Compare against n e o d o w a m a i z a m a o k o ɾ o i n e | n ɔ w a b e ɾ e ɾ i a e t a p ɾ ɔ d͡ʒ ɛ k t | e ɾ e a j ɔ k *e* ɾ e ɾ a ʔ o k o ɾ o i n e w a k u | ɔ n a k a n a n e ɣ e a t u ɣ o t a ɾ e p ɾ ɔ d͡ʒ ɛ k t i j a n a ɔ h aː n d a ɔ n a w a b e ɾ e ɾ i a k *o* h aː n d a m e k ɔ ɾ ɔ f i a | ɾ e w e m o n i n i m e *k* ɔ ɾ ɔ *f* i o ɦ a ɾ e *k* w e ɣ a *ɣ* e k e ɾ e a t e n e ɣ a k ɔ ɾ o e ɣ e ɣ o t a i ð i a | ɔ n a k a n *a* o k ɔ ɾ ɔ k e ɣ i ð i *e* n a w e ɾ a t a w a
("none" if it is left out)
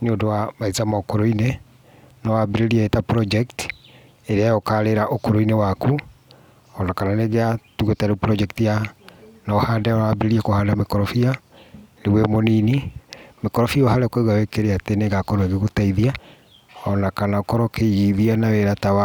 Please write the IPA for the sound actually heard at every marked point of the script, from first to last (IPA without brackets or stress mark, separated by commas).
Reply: a, o, k, f, k, w, a, a